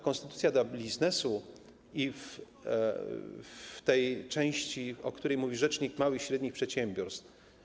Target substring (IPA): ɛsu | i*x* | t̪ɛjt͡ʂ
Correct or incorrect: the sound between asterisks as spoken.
incorrect: f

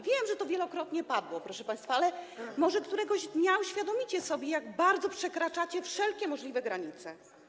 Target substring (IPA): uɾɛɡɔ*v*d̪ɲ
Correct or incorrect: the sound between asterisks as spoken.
incorrect: ʑ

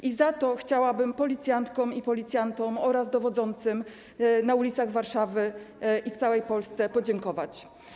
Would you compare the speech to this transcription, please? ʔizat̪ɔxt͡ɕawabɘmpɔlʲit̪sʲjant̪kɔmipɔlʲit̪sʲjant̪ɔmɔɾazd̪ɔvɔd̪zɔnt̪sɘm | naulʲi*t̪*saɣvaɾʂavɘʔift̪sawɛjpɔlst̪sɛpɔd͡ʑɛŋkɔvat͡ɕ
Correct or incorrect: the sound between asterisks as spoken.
correct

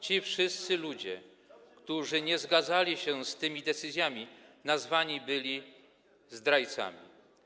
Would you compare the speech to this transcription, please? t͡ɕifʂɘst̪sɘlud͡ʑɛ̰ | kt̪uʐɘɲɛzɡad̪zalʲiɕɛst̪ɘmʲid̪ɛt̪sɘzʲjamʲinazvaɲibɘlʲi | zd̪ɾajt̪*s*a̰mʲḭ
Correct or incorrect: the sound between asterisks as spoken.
correct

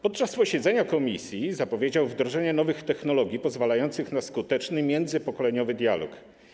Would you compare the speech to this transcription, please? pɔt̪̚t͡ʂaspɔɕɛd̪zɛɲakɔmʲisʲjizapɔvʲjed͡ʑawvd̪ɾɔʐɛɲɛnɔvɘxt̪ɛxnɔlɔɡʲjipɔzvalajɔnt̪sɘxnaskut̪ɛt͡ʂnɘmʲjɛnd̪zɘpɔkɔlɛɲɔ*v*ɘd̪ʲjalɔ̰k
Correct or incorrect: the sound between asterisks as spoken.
correct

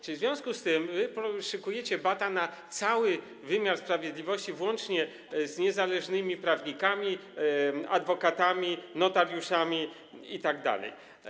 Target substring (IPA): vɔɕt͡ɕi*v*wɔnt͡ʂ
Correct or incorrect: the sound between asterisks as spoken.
correct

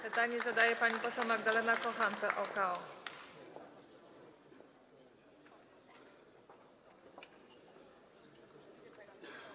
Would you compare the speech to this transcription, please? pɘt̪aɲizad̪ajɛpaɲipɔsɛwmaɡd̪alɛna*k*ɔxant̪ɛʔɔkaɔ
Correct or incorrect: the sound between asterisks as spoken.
correct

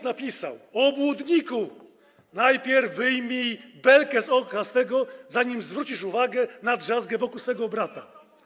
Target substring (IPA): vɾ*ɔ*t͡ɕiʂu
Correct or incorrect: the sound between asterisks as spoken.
incorrect: u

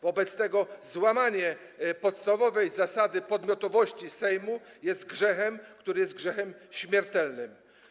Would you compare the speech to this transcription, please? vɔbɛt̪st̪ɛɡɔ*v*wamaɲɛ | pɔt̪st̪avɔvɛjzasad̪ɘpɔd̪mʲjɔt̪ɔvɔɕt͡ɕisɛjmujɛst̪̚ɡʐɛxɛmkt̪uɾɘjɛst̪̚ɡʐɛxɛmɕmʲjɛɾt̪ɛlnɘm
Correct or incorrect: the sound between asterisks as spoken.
incorrect: z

